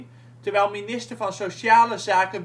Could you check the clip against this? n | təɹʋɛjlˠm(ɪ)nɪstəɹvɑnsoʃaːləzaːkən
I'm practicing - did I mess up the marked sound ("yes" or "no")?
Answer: yes